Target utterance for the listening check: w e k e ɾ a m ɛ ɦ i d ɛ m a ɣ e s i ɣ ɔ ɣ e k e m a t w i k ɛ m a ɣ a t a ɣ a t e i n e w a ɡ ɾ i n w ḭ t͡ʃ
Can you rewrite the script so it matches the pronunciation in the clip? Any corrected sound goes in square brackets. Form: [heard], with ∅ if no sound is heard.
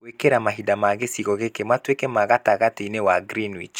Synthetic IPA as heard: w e k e ɾ a m [a] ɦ i d [a] m a ɣ e s i ɣ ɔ ɣ e k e m a t w [e] k ɛ m a ɣ a t a ɣ a t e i n e w a ɡ ɾ i n w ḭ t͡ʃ

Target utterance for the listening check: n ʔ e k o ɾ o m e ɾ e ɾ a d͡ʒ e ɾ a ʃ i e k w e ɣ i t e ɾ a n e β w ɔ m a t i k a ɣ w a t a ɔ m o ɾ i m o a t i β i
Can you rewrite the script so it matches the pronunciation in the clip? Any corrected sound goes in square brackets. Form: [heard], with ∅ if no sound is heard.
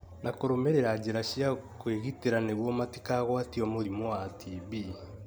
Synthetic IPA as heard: n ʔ [a] k o ɾ o m e ɾ e ɾ a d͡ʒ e ɾ a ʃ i [a] k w e ɣ i t e ɾ a n e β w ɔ m a t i k a ɣ w a t [i] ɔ m o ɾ i m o a t i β i

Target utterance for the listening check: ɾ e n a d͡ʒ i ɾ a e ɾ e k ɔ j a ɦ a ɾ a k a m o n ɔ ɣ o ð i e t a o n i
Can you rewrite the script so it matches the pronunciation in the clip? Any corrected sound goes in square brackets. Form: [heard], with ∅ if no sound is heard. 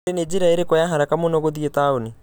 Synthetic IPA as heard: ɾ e n [e] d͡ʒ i ɾ a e ɾ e k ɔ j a ɦ a ɾ a k a m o n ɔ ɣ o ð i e t a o n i

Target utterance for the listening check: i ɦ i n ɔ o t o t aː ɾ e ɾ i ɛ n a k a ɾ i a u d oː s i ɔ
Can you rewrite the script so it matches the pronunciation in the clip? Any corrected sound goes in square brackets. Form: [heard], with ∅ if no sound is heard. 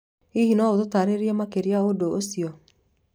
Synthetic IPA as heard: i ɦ i n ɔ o t o t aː ɾ e ɾ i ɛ [m] a k [e] ɾ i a [o] d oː s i ɔ

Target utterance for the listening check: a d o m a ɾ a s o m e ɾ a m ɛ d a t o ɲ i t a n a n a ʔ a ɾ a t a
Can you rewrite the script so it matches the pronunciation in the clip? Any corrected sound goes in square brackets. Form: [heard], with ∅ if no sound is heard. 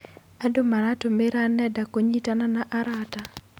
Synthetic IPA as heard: a d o m a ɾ a [t] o m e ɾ a [n] ɛ d a [k] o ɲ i t a n a n a ʔ a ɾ a t a

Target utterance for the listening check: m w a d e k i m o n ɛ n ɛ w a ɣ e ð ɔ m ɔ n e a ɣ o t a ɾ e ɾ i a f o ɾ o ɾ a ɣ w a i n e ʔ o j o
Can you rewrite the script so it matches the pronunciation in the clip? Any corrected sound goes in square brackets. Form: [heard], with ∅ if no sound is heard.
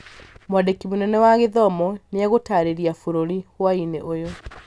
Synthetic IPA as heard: m w a d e k i m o n ɛ n ɛ w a ɣ e ð ɔ m ɔ n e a ɣ o t a ɾ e ɾ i a f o ɾ o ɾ [i] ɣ w a i n e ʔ o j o

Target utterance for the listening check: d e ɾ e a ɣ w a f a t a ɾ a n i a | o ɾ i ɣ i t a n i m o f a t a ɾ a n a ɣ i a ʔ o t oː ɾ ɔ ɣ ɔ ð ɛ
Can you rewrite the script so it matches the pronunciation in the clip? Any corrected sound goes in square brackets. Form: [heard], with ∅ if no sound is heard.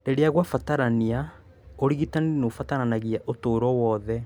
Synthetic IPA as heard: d e ɾ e a ɣ w a f a t a ɾ a n i a | o ɾ i ɣ i t a n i [n] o f a t a ɾ a n a ɣ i a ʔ o t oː ɾ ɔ [w] ɔ ð ɛ

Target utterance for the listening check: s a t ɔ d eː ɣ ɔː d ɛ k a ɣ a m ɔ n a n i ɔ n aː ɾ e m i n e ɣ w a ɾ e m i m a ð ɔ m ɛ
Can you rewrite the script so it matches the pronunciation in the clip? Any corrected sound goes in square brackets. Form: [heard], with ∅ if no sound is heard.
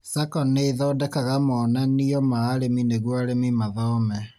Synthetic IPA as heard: s a [k] ɔ [n] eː [ð] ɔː d ɛ k a ɣ a m ɔ n a n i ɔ [m] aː ɾ e m i n e ɣ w a ɾ e m i m a ð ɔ m ɛ

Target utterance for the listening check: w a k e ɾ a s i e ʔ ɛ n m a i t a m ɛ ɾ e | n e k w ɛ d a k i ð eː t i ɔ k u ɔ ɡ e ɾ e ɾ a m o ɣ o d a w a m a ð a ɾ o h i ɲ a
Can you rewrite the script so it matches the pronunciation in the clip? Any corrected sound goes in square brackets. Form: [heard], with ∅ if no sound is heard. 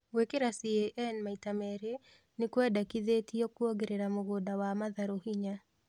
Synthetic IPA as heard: w [e] k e ɾ a s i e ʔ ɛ n m a i t a m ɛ ɾ e | n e k w ɛ d a k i ð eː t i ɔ k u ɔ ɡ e ɾ e ɾ a m o ɣ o d a w a m a ð a ɾ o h i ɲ a

